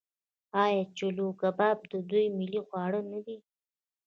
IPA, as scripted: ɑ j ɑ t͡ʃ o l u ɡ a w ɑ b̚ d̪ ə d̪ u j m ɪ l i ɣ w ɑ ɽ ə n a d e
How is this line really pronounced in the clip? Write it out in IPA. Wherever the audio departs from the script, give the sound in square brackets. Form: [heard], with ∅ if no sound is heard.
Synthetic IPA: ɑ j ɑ t͡ʃ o l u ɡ a [b] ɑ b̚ d̪ ə d̪ u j m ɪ l i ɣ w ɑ ɽ ə n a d [i]